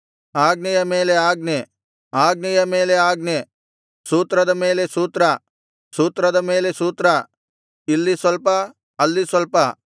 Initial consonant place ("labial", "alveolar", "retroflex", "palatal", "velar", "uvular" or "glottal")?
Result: velar